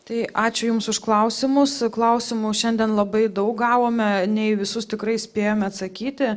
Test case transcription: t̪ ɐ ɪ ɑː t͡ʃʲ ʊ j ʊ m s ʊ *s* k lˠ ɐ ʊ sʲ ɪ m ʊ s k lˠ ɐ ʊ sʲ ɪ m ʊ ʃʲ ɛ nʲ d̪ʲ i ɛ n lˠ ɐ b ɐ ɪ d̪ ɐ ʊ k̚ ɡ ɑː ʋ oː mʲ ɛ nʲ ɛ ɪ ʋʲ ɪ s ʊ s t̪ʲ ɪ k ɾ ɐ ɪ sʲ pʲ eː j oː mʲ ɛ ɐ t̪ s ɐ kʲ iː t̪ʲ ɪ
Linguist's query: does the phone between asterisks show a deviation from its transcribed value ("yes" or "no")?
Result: yes